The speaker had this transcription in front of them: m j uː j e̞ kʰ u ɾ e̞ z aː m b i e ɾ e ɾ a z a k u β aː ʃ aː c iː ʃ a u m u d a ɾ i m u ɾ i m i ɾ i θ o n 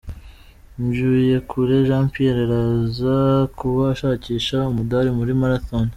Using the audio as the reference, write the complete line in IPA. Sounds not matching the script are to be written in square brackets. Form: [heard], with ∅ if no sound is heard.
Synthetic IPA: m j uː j e̞ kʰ u ɾ e̞ [ʒ] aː m [p] i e ɾ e ɾ a z a k u β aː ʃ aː c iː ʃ a u m u d a ɾ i m u ɾ i m [a] ɾ [a] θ o n